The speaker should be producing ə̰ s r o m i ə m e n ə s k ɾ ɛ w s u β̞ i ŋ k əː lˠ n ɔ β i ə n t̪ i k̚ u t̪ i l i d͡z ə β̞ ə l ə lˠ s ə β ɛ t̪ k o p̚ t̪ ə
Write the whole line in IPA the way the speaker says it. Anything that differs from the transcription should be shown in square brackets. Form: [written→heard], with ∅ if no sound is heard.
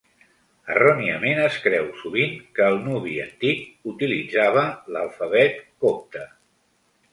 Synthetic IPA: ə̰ [s→∅] r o [m→n] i ə m e n ə s k ɾ ɛ w s u β̞ i ŋ k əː lˠ n [ɔ→u] β i ə n t̪ i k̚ u t̪ i l i d͡z [ə→a] β̞ ə l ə lˠ [s→f] ə β ɛ t̪ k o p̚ t̪ ə